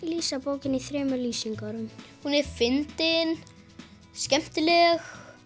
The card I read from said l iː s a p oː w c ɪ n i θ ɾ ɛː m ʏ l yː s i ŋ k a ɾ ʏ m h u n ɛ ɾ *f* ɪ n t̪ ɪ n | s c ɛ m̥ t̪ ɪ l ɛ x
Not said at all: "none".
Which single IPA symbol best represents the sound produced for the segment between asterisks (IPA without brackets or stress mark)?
f